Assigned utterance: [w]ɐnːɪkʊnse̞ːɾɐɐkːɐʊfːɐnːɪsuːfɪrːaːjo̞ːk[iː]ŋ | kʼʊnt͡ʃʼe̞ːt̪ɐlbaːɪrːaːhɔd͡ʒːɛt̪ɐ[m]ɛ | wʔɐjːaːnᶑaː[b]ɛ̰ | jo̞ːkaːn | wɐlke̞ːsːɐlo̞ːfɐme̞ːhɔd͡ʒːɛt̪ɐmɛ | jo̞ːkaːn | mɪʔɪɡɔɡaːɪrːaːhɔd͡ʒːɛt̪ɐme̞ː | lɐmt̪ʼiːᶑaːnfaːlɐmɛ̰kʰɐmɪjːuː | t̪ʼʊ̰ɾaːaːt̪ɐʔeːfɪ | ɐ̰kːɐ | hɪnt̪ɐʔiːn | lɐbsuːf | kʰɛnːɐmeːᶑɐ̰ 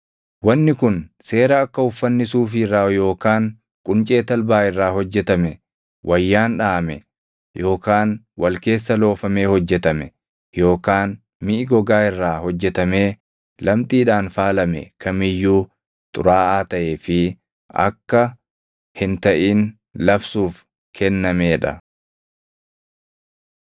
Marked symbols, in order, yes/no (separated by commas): yes, no, yes, no